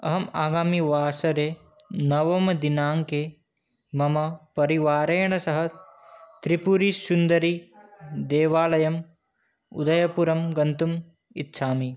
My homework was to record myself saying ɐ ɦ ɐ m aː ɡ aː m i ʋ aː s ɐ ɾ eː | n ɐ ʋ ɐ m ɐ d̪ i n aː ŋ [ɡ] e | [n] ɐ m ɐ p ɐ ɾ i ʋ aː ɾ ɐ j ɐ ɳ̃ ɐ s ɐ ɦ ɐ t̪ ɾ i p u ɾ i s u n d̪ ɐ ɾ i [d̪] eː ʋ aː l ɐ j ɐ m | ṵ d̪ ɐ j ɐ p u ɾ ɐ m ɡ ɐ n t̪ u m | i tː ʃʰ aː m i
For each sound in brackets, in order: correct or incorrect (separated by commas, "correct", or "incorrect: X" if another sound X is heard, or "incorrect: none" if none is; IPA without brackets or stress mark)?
incorrect: k, incorrect: m, correct